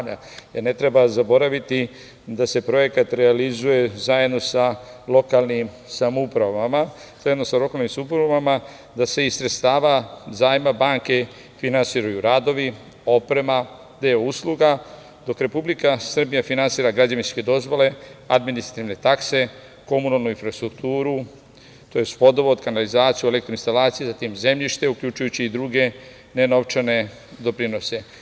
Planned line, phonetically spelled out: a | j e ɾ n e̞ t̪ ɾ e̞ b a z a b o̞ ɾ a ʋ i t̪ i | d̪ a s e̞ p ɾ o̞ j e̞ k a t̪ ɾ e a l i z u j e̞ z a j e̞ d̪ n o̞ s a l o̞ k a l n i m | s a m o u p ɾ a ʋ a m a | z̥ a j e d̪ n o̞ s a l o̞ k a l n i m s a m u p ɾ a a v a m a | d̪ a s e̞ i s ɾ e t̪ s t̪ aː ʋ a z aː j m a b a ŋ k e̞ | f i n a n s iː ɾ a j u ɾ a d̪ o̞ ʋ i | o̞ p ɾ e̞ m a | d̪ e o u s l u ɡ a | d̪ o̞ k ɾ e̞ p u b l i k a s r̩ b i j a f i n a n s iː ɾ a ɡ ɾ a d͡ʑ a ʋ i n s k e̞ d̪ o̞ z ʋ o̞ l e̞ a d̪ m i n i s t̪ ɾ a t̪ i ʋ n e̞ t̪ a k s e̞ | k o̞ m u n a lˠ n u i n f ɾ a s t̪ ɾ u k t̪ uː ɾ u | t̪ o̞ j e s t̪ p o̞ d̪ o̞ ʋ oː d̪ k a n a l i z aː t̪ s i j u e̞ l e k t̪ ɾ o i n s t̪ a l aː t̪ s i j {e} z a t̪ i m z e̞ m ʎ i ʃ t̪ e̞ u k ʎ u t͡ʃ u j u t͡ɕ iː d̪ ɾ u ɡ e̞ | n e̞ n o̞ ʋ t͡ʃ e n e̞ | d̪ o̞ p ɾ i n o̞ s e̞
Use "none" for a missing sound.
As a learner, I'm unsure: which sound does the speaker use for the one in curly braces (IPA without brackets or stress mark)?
e